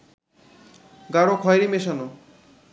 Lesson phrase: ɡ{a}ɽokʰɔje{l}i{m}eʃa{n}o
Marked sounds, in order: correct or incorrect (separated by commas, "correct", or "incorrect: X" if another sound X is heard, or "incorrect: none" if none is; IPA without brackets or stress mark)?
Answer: correct, incorrect: ɾ, correct, correct